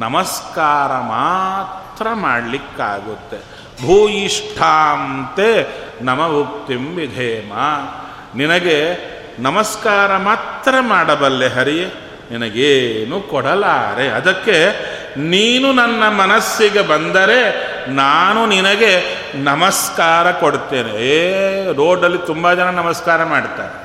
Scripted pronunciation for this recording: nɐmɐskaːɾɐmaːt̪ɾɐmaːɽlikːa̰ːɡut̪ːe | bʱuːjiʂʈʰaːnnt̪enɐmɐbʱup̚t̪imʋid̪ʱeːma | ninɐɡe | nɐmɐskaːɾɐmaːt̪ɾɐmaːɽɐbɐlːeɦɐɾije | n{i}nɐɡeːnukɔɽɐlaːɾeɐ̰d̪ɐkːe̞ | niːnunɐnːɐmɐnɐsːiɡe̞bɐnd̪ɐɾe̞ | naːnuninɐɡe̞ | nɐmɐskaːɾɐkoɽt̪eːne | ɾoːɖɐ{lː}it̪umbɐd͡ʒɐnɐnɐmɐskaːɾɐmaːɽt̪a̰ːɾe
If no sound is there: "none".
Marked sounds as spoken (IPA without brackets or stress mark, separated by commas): i, lː